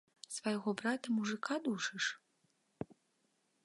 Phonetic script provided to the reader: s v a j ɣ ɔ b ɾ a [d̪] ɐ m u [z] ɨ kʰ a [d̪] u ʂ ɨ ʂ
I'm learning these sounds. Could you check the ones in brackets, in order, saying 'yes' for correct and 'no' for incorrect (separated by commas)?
no, no, yes